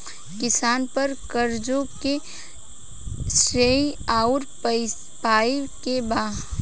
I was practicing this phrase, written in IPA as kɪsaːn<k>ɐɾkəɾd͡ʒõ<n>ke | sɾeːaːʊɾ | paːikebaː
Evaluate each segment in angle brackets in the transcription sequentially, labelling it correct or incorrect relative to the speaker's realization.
incorrect, incorrect

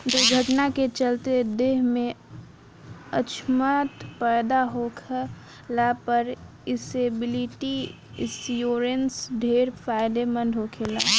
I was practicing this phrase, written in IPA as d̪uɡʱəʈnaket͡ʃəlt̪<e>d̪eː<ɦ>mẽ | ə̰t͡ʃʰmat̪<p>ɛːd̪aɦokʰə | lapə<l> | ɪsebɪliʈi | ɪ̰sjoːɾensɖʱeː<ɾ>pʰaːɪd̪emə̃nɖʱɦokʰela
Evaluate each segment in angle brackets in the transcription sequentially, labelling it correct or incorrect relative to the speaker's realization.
correct, correct, correct, incorrect, correct

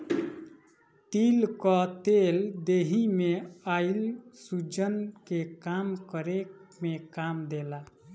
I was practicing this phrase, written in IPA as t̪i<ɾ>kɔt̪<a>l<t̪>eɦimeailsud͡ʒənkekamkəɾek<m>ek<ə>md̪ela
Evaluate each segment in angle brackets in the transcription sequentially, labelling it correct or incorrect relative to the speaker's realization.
incorrect, incorrect, incorrect, correct, incorrect

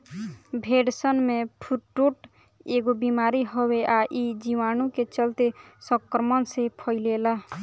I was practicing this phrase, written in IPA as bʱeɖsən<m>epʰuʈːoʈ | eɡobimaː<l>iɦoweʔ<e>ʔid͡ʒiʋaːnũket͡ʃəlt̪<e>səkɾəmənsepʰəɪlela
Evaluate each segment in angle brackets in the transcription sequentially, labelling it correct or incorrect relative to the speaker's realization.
correct, incorrect, incorrect, correct

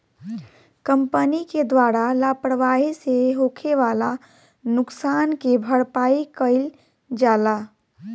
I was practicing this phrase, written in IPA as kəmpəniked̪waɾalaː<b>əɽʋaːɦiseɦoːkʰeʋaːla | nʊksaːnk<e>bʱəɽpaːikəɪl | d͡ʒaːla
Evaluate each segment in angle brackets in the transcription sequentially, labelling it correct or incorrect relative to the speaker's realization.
incorrect, correct

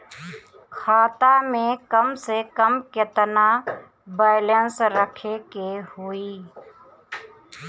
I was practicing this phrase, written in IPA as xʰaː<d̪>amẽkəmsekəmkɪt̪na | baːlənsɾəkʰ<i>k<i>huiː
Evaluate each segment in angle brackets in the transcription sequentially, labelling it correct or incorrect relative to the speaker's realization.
incorrect, incorrect, incorrect

